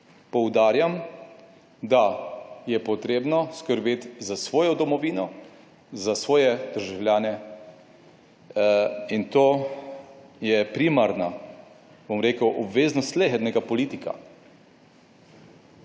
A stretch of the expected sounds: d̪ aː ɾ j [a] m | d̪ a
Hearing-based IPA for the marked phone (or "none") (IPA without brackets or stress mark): a